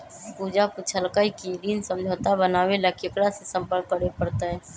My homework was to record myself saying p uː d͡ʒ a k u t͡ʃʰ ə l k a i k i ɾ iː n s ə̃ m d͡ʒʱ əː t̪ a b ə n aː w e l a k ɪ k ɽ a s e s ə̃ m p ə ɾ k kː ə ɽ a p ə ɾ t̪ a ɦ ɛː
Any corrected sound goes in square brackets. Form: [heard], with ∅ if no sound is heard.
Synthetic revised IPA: p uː d͡ʒ a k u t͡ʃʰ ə l k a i k i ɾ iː n s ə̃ m d͡ʒʱ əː t̪ a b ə n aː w e l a k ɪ k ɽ a s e s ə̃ m p ə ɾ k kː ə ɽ [e] p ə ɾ t̪ a ɦ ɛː